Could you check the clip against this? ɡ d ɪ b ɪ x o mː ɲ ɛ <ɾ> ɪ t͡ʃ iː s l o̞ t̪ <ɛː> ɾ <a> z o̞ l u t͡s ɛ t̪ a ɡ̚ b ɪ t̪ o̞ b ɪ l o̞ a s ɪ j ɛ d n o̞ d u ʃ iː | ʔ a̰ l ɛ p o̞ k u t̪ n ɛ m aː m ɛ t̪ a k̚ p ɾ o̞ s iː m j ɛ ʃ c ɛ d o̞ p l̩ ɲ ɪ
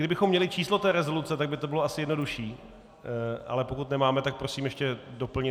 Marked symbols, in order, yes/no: no, yes, no

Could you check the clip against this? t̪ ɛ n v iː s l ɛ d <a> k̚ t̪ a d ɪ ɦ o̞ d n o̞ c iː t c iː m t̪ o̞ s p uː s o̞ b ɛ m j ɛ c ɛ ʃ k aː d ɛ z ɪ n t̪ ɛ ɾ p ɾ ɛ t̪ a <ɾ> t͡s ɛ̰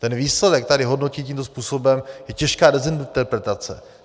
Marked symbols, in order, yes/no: no, no

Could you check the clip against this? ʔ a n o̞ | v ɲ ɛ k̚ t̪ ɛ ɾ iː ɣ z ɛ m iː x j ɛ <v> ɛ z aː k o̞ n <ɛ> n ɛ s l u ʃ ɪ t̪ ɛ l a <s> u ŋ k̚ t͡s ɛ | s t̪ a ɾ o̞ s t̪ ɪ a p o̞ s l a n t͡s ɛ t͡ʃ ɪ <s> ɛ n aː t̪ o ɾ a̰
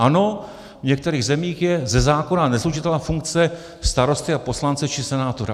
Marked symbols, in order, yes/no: no, no, no, yes

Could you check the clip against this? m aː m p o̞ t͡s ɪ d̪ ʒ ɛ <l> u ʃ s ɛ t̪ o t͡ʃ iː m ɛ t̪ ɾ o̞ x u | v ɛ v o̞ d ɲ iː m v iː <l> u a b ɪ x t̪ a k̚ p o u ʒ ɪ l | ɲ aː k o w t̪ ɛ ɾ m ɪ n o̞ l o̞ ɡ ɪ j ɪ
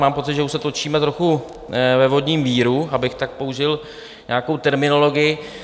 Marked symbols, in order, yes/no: no, no

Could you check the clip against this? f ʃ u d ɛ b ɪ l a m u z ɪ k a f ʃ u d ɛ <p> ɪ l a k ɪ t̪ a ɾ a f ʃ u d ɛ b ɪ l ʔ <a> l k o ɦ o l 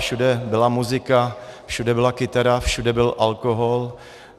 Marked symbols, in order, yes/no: no, yes

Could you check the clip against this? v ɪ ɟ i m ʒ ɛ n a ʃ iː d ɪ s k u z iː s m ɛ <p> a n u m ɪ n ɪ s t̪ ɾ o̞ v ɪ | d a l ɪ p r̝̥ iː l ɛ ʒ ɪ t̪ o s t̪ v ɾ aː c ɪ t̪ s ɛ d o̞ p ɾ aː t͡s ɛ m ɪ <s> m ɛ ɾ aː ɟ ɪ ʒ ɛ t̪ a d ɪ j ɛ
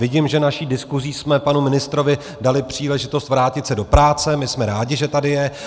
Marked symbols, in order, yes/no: yes, yes

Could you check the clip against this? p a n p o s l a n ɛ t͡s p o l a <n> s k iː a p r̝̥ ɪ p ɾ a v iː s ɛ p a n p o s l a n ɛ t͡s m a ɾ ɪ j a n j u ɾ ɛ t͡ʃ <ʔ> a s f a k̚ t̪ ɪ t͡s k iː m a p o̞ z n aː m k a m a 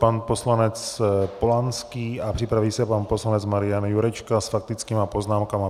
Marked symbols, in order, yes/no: yes, no

